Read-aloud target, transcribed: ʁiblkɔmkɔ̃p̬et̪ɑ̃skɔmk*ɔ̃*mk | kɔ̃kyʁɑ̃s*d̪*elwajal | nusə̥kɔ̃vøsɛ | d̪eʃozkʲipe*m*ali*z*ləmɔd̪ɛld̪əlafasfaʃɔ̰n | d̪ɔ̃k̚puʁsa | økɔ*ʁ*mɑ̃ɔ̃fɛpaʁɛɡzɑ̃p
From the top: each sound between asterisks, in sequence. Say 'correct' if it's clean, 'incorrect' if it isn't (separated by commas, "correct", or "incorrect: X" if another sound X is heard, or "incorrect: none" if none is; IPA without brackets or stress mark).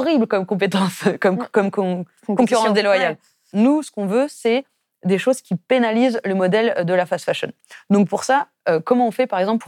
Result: incorrect: ɔ, correct, incorrect: n, correct, incorrect: none